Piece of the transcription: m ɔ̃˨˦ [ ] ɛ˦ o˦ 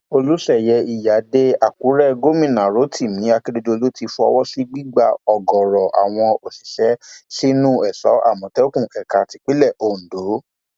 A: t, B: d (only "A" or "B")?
A